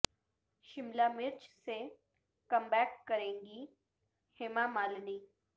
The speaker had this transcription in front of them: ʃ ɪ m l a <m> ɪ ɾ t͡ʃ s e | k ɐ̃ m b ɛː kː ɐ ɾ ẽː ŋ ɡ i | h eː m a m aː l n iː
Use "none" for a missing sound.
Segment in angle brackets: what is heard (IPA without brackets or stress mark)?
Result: m